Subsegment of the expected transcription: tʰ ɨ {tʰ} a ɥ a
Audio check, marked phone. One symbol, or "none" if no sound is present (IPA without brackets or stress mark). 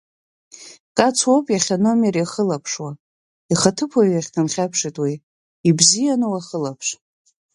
pʰ